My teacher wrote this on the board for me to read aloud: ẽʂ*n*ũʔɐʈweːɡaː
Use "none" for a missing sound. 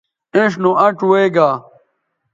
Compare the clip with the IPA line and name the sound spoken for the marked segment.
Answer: n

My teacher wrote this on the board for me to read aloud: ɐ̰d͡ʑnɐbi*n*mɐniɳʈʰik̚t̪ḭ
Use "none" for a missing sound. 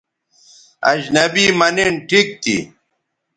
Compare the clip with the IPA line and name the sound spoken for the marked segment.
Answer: none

